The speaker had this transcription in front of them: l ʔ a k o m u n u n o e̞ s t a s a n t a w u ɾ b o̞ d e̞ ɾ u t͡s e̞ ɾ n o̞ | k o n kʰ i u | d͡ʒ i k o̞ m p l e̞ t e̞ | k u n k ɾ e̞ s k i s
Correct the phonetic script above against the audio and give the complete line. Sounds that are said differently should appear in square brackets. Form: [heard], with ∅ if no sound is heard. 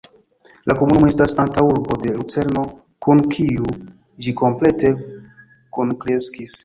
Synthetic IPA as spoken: l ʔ a k o m u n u [m] o e̞ s t a s a n t a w u ɾ b o̞ d e̞ [l] u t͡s e̞ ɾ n o̞ | k [u] n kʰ i u | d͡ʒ i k o̞ m p l e̞ t e̞ | k u n k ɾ e̞ s k i s